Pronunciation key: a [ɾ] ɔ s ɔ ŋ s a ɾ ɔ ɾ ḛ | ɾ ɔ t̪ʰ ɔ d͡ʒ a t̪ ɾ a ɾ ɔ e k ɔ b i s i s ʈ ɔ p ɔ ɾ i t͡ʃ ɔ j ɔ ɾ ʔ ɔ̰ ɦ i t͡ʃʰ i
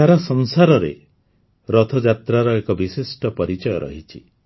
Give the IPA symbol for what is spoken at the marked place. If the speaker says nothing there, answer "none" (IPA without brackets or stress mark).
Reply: ɾ